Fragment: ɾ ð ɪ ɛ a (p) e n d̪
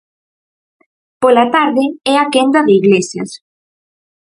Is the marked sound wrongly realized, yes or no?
yes